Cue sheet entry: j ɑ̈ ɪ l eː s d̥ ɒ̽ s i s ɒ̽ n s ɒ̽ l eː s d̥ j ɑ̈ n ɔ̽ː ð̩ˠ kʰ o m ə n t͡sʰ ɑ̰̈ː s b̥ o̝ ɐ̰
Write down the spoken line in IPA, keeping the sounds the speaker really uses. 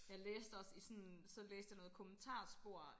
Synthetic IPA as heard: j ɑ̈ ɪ l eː s d̥ ɒ̽ s i s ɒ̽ n s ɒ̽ l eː s d̥ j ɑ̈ n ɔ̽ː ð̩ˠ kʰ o m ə n t͡sʰ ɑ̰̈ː s b̥ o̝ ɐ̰

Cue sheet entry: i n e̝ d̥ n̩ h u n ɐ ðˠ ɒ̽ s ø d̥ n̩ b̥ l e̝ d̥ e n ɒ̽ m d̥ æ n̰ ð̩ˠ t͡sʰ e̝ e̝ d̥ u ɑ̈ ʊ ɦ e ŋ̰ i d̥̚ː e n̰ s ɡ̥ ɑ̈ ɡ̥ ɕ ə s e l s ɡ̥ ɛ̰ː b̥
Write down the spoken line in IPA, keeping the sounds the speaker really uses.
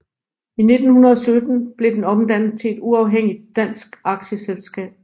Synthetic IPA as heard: i n e̝ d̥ n̩ h u n ɐ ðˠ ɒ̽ s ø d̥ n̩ b̥ l e̝ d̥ e n ɒ̽ m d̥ æ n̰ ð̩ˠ t͡sʰ e̝ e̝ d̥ u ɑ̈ ʊ ɦ e ŋ̰ i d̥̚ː æ n̰ s ɡ̥ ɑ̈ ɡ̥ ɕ ə s e l s ɡ̥ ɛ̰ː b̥

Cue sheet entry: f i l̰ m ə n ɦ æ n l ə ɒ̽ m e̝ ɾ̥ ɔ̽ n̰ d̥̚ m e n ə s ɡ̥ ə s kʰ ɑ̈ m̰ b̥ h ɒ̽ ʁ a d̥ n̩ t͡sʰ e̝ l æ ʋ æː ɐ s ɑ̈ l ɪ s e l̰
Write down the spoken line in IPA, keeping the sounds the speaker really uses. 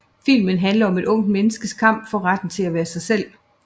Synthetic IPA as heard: f i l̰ m ə n ɦ æ n l ɐ ɒ̽ m e̝ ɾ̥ ɔ̽ ŋ̰ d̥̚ m e n ə s ɡ̥ ə s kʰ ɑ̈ m̰ b̥ f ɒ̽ ʁ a d̥ n̩ t͡sʰ e̝ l æ ʋ æː ɐ s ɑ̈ ɪ s e l̰

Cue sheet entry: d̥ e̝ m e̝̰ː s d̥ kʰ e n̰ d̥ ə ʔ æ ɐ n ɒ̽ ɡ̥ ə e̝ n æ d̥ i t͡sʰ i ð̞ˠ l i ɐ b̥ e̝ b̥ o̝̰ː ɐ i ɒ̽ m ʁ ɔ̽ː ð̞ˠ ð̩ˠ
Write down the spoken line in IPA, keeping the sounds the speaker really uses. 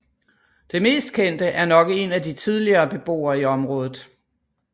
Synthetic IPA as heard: d̥ e̝ m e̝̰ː s d̥ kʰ e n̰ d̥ ə ʔ æ ɐ n ɒ̽ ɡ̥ ə e̝ n æ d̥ i t͡sʰ i ð̞ˠ l i ɐː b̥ e̝ b̥ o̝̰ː ɐ i ɒ̽ m ʁ ɔ̽ː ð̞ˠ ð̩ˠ

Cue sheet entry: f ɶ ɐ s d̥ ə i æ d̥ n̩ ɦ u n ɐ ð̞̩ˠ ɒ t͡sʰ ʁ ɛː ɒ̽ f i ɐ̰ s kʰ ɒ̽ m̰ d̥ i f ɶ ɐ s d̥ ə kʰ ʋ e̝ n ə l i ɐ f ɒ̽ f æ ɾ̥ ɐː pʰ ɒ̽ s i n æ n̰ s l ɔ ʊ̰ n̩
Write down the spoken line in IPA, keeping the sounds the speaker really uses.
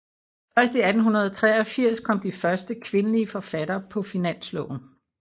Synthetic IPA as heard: f ɶ ɐ s d̥ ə i æ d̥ n̩ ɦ u n ɐ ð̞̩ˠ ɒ t͡sʰ ʁ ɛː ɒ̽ f i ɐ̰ s kʰ ɒ̽ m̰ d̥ i f ɶ ɐ s d̥ ə kʰ ʋ e̝ n ə l i ə f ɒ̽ f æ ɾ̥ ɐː pʰ ɒ̽ f i n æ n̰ s l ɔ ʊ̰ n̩

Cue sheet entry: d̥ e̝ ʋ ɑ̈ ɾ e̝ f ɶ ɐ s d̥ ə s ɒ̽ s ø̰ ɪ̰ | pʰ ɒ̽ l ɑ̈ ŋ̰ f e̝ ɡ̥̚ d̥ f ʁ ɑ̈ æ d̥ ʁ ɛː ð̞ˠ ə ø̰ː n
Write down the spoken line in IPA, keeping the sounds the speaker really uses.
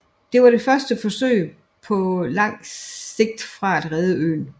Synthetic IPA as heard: d̥ e̝ ʋ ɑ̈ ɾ e̝ f ɶ ɐ s d̥ ə f ɒ̽ s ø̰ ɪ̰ | pʰ ɒ̽ l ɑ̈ ŋ̰ s e̝ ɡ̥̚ d̥ f ʁ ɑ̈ æ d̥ ʁ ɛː ð̞ˠ ə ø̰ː n

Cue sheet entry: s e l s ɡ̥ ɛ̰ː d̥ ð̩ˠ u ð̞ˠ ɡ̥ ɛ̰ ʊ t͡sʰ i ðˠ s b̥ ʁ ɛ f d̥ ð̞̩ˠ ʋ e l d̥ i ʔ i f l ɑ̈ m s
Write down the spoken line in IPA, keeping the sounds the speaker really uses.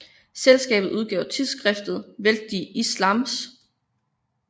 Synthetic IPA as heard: s e l s ɡ̥ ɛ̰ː b̥ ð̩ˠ u ð̞ˠ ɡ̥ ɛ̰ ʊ t͡sʰ i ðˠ s ɡ̥ ʁ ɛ f d̥ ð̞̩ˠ ʋ e l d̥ i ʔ i s l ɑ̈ m s

